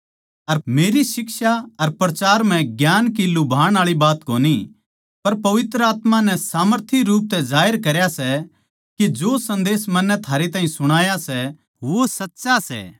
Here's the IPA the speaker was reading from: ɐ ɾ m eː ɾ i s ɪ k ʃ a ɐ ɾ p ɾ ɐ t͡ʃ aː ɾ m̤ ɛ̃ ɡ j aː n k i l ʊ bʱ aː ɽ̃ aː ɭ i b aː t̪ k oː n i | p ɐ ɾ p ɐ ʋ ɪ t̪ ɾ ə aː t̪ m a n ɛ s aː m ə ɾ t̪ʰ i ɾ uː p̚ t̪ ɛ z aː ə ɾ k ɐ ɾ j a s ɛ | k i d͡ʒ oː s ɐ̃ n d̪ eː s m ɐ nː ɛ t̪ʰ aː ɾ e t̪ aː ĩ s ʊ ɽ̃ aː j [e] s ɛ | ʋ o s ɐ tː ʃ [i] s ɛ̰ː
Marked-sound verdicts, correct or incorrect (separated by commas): incorrect, incorrect